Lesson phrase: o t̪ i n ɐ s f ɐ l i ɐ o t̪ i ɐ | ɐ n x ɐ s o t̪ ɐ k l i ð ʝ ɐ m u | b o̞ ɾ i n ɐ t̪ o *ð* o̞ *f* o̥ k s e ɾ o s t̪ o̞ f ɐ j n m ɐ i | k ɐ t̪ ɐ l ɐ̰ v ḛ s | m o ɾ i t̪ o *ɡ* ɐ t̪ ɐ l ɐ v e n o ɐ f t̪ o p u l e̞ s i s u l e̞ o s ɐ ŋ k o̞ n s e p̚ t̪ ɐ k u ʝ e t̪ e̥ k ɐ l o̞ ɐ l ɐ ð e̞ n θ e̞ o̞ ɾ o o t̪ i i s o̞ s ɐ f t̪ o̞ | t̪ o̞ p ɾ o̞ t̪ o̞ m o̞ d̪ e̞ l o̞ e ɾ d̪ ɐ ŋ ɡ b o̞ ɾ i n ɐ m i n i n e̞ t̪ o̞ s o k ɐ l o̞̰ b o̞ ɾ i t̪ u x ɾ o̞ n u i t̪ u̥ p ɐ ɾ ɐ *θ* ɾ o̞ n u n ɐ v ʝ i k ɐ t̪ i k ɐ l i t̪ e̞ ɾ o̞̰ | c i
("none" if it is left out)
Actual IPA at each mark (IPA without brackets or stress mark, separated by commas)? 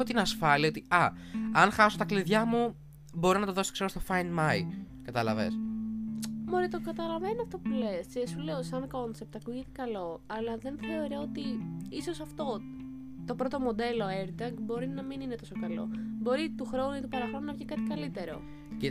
ð, s, k, x